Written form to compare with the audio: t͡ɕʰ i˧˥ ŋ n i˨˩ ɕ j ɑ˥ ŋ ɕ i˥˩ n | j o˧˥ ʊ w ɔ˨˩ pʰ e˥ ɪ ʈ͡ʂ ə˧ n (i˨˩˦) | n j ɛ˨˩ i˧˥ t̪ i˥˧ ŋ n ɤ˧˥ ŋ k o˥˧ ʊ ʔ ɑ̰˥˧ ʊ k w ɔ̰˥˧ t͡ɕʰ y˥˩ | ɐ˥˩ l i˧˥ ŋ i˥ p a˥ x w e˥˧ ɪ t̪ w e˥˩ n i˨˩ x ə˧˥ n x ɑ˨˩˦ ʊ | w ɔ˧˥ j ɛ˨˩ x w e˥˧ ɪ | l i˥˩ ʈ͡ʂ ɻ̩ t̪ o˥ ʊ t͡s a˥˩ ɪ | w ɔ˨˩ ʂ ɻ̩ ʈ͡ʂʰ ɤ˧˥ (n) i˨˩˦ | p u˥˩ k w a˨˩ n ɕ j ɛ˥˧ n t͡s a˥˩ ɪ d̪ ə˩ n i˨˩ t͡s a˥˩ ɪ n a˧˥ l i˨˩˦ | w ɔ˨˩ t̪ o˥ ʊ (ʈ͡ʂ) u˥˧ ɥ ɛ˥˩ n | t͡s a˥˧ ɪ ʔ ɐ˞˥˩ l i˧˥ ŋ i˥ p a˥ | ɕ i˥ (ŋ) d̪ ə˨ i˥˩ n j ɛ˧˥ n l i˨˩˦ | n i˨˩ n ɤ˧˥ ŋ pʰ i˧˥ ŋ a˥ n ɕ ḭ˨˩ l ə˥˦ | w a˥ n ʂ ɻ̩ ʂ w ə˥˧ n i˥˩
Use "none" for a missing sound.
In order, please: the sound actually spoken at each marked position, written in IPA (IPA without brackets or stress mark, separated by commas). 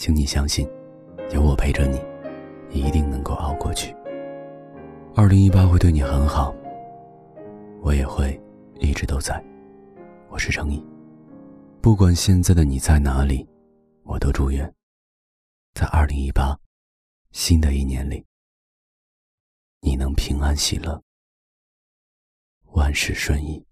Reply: i˨˩˦, ŋ, ʈ͡ʂ, n